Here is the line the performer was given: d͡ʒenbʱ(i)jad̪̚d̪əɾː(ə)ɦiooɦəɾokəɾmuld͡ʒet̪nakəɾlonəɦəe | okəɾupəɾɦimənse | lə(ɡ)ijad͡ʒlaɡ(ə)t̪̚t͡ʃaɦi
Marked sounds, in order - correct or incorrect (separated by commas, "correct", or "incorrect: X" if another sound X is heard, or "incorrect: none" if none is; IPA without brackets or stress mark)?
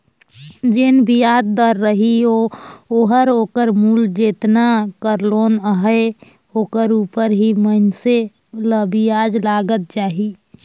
correct, correct, incorrect: b, correct